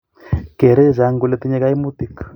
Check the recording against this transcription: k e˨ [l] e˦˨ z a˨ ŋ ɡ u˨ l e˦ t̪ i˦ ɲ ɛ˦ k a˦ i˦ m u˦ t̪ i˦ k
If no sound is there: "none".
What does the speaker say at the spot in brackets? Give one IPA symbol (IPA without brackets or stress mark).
ɾ